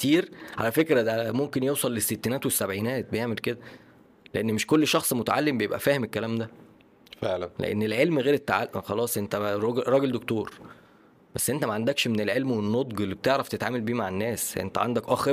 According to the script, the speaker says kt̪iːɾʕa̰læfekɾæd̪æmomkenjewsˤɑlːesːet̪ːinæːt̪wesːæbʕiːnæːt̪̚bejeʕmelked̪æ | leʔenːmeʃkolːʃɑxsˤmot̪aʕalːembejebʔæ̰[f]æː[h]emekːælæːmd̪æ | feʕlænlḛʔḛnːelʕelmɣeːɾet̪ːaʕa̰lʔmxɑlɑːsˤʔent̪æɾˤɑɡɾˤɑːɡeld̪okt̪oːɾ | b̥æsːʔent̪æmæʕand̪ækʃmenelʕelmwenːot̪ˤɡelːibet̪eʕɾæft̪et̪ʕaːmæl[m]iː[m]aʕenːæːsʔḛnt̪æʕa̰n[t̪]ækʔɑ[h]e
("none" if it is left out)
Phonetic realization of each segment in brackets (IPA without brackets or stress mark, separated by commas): f, h, b, m, d̪, x